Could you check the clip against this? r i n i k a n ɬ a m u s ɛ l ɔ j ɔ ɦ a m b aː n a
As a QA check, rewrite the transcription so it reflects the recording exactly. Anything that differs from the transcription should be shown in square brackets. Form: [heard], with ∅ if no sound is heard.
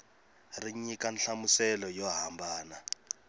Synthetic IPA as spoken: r i [ɲ] i k a n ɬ a m u s ɛ l ɔ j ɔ ɦ a m b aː n a